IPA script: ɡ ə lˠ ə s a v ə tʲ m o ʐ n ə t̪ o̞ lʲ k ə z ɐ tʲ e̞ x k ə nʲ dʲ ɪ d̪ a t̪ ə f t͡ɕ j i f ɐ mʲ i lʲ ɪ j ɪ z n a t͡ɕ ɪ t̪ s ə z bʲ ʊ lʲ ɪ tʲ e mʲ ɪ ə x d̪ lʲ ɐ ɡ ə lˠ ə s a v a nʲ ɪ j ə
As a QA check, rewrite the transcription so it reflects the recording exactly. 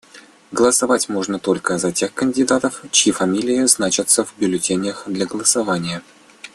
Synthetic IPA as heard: ɡ ə lˠ ə s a v a tʲ m o ʐ n ə t̪ o̞ lʲ k ə z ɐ tʲ e̞ x k ə nʲ dʲ ɪ d̪ a t̪ ə f t͡ɕ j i f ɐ mʲ i lʲ ɪ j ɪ z n a t͡ɕ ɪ t̪ s ə v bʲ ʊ lʲ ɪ tʲ e nʲ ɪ ə x d̪ lʲ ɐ ɡ ə lˠ ə s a v a nʲ ɪ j ə